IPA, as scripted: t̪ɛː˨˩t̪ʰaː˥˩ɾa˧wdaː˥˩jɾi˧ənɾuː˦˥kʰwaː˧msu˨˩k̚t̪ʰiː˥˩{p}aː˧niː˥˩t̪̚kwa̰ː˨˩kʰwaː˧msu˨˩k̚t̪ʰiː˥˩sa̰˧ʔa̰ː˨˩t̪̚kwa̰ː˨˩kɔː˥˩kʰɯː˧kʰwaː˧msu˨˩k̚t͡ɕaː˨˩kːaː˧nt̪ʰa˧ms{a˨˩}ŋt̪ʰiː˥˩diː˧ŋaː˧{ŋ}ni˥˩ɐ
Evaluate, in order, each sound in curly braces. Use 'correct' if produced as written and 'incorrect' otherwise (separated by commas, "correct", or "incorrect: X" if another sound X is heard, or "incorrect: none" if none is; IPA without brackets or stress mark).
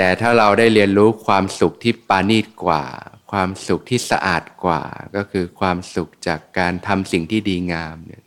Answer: correct, incorrect: i˨˩, incorrect: m